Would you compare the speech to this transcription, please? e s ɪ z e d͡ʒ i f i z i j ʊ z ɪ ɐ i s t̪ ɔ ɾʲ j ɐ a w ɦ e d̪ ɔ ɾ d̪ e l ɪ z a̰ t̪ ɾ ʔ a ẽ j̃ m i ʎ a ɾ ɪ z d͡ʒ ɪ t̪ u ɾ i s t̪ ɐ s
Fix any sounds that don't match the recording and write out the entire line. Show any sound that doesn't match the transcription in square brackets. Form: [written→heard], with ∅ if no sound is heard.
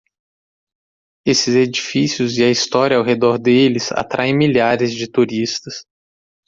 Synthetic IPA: e s ɪ z e d͡ʒ i f i [z→s] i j ʊ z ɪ ɐ i s t̪ ɔ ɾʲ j ɐ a w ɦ e d̪ ɔ ɾ d̪ e l ɪ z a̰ t̪ ɾ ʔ a ẽ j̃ m i ʎ a ɾ ɪ z d͡ʒ ɪ t̪ u ɾ i s t̪ ɐ s